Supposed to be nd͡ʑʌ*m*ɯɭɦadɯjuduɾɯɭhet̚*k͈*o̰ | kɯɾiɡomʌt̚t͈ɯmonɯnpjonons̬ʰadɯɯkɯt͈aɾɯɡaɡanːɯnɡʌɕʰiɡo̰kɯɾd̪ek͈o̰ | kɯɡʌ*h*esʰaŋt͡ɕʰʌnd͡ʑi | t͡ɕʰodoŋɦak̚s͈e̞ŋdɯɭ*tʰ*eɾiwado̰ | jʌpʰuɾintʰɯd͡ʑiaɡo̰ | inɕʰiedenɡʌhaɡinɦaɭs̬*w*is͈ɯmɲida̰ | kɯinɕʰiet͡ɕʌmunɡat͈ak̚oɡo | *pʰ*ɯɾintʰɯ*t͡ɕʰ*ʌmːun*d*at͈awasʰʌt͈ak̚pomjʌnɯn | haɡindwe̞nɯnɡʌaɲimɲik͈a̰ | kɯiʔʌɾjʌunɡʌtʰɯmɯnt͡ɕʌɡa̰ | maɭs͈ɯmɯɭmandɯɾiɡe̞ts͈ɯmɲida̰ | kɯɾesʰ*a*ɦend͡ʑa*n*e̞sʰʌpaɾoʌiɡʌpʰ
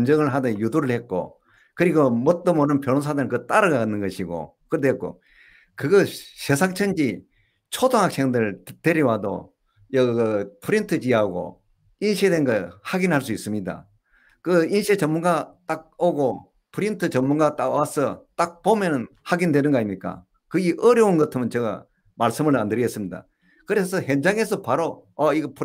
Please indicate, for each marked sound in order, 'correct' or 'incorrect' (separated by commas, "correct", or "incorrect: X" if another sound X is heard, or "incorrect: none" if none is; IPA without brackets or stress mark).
incorrect: ŋ, correct, incorrect: ɕ, incorrect: t, incorrect: u, correct, incorrect: t͡ɕ, incorrect: ɡ, incorrect: ʌ, incorrect: ŋ